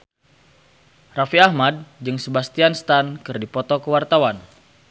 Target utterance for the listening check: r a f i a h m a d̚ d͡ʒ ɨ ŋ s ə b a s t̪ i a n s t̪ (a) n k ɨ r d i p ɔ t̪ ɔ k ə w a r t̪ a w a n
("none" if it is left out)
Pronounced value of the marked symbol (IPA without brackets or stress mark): a